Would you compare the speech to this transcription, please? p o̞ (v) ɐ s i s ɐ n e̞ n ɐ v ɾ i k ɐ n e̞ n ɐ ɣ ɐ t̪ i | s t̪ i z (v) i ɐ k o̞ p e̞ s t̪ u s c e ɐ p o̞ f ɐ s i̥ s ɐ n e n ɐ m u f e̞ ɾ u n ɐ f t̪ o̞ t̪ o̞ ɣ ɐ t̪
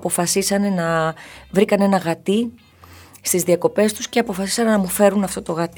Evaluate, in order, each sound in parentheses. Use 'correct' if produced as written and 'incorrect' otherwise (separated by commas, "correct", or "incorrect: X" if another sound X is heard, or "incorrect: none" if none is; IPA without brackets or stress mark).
incorrect: f, incorrect: ð